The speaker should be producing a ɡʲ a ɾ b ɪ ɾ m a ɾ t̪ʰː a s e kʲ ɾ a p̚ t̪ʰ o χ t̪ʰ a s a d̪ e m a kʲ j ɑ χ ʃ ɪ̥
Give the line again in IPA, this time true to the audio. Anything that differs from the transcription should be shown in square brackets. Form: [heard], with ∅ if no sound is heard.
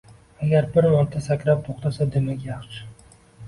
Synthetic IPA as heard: a ɡʲ a ɾ b ɪ ɾ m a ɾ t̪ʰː a s [a] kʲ ɾ a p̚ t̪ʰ o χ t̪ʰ a s a d̪ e m a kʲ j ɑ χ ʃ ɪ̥

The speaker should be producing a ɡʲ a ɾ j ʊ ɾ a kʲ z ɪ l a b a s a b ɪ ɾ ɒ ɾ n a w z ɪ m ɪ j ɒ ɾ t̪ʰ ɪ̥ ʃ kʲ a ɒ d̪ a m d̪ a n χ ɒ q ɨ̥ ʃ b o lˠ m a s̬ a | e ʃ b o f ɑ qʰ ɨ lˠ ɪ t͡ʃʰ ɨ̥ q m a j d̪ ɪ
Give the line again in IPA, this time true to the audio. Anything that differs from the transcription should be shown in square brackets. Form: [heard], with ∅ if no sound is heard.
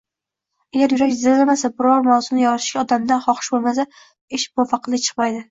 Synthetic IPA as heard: a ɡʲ a ɾ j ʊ ɾ a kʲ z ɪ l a [m] a s a b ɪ ɾ ɒ ɾ [m] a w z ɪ [n] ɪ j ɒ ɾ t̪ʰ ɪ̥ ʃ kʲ a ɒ d̪ a m d̪ a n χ ɒ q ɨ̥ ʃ b o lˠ m a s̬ a | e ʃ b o f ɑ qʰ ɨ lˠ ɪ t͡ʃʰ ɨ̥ q m a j d̪ ɪ

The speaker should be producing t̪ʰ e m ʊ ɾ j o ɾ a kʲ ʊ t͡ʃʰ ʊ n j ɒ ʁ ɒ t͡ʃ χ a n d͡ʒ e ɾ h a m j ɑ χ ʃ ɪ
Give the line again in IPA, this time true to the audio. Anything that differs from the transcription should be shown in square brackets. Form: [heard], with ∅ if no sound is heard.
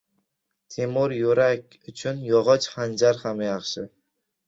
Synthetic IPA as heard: t̪ʰ e m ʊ ɾ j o ɾ a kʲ ʊ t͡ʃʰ ʊ n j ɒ ʁ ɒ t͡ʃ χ a n d͡ʒ [a] ɾ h a m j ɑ χ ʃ ɪ

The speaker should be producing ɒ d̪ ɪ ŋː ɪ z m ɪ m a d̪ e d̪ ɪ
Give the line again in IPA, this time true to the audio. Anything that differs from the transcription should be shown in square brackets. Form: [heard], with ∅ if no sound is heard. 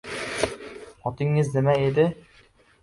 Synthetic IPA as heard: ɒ [t̪] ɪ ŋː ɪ z [n] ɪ m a [∅] e d̪ ɪ

